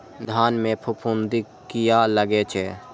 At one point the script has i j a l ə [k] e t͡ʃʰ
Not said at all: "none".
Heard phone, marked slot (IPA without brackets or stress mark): ɡ